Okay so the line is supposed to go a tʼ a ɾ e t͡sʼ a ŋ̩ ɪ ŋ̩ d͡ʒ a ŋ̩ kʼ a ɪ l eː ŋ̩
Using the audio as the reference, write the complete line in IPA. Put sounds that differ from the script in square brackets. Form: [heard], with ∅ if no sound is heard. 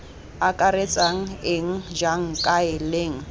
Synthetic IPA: a [kʼ] a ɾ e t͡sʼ a ŋ̩ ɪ ŋ̩ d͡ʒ a ŋ̩ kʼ a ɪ l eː ŋ̩